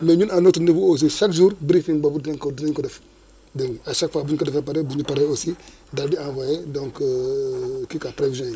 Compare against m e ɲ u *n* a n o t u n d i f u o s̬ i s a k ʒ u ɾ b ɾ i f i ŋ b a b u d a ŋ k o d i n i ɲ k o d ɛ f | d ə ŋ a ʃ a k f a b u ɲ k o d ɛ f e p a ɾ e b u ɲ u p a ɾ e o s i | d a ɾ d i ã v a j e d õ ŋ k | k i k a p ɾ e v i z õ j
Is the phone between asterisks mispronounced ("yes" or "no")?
no